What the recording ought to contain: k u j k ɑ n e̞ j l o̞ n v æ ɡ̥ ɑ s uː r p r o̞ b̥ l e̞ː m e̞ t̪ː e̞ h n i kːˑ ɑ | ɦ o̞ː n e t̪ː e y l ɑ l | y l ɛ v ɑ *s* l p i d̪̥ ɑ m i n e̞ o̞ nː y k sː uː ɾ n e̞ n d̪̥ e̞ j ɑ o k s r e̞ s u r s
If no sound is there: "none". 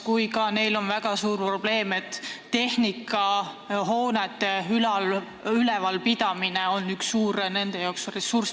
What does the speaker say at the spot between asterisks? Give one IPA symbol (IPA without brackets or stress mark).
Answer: none